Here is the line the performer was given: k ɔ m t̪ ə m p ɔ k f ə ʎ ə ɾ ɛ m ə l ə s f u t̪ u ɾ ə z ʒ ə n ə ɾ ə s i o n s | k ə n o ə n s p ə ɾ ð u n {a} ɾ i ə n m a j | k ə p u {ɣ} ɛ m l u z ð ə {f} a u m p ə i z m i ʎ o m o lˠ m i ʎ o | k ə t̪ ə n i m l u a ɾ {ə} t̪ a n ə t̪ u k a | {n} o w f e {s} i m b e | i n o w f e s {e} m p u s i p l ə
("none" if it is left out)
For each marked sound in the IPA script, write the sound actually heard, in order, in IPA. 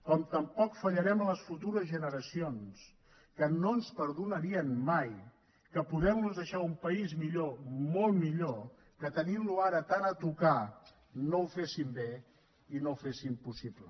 ə, ð, ʃ, ə, n, s, i

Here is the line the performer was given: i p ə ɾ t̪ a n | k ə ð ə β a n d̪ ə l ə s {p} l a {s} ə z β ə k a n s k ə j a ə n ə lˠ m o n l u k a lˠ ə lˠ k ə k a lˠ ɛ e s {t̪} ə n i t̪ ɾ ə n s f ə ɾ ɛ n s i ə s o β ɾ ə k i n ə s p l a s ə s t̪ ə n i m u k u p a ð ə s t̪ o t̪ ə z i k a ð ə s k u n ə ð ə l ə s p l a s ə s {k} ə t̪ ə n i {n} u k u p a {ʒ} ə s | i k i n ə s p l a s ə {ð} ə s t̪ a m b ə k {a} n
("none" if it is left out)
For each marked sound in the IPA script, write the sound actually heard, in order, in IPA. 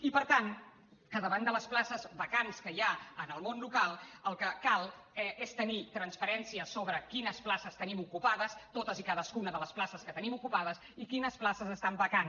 p, s, t̪, k, m, ð, z, a

